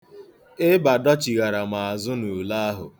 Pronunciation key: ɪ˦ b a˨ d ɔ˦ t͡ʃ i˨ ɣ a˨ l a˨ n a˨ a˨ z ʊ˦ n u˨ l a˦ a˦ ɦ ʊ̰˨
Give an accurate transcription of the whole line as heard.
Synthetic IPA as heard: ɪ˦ b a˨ d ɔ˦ t͡ʃ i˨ ɣ a˨ ɾ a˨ m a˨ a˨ z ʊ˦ n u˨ l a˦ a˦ ɦ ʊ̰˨